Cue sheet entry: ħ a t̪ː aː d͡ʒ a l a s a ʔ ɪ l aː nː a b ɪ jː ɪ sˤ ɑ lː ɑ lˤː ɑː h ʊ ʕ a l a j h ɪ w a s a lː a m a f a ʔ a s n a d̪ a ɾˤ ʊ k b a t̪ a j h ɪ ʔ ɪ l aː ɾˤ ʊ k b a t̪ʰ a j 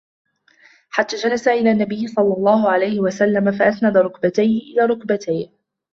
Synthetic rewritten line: ħ a t̪ː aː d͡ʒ a l a s a ʔ ɪ l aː nː a b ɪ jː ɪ sˤ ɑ lː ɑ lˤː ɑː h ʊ ʕ a l a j h ɪ w a s a lː a m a f a ʔ a s n a d̪ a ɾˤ ʊ k b a t̪ a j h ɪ ʔ ɪ l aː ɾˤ ʊ k b a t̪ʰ a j